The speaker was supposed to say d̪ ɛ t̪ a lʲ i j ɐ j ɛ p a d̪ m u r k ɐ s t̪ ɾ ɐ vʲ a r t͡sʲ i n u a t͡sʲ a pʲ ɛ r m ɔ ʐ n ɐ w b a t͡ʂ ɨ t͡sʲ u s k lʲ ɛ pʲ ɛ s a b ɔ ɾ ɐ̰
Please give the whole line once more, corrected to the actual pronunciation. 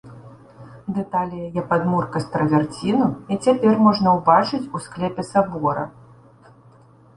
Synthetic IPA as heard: d̪ ɛ t̪ a lʲ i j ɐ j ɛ p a d̪ m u r k ɐ s t̪ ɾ ɐ vʲ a r t͡sʲ i n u i t͡sʲ a pʲ ɛ r m ɔ ʐ n ɐ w b a t͡ʂ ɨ t͡sʲ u s k lʲ ɛ pʲ ɛ s a b ɔ ɾ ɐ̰